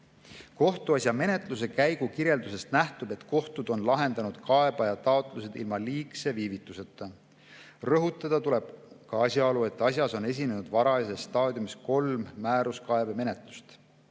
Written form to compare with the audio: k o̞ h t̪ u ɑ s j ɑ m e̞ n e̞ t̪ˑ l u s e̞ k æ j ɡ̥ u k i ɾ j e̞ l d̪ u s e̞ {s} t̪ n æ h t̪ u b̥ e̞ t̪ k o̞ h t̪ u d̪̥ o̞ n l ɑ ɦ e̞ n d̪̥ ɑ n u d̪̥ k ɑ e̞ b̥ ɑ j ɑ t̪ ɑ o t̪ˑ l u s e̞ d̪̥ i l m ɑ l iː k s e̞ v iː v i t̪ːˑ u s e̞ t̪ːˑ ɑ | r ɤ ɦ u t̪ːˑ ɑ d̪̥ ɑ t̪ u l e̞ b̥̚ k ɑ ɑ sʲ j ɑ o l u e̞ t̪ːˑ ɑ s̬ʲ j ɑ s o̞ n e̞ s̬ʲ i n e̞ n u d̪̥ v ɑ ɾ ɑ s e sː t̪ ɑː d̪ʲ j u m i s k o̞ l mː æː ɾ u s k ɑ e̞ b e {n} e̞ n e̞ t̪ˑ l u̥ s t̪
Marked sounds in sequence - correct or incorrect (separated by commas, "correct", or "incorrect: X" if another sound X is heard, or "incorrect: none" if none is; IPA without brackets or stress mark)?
correct, incorrect: m